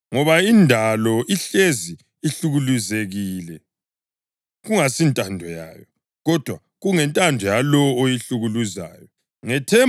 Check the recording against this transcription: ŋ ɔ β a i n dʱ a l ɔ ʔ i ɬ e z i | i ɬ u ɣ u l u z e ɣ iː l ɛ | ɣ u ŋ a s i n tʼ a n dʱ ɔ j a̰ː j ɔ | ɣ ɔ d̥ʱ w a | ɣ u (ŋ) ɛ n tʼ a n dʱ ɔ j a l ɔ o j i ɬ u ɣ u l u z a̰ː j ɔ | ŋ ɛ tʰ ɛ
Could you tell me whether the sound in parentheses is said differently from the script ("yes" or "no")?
no